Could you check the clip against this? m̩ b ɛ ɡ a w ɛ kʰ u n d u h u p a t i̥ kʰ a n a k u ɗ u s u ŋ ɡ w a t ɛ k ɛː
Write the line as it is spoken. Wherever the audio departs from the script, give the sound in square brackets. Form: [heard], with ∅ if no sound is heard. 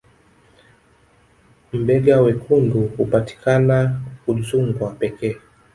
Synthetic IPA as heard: m̩ b ɛ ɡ a w ɛ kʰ u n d u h u p a t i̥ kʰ a n a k u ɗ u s u ŋ ɡ w a [p] ɛ k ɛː